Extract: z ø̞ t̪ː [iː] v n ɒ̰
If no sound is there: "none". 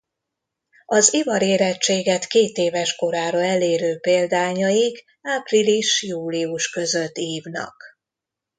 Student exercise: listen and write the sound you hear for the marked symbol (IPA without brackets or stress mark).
iː